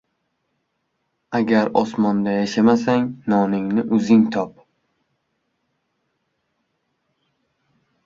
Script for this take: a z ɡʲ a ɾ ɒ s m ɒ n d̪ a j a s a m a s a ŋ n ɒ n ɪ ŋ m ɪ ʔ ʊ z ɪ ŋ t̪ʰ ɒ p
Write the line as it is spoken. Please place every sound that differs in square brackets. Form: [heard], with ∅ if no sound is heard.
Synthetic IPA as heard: a [∅] ɡʲ a ɾ ɒ s m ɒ n d̪ a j a [ʃ] a m a s a ŋ n ɒ n ɪ ŋ [n] ɪ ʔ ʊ z ɪ ŋ t̪ʰ ɒ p